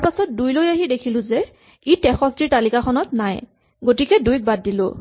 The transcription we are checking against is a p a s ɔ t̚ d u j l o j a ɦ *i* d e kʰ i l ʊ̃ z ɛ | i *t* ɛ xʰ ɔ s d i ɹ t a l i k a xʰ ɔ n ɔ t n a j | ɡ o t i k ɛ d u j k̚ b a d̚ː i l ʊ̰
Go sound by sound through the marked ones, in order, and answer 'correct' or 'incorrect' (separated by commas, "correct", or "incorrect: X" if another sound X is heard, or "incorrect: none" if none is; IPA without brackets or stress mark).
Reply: correct, correct